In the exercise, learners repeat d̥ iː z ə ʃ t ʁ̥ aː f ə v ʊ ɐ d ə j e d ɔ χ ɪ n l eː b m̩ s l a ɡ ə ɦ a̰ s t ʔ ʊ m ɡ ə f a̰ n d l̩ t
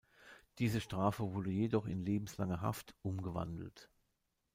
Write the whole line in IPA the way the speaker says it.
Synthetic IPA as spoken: d̥ iː z ə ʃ t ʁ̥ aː f ə v ʊ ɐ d ə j e d ɔ χ ɪ n l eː b m̩ s l a ŋ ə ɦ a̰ f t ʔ ʊ m ɡ ə v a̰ n d l̩ t